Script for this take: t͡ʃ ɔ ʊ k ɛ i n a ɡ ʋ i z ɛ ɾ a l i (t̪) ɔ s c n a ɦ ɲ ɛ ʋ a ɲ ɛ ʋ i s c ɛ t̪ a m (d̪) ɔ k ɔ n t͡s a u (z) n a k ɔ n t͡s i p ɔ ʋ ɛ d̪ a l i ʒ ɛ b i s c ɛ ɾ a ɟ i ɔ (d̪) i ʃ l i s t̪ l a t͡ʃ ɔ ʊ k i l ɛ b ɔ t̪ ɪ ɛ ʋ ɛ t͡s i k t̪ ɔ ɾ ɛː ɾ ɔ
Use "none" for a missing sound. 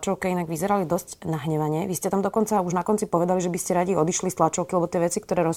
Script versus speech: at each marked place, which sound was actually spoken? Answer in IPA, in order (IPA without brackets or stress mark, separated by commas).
d̪, d̪, ʒ, d̪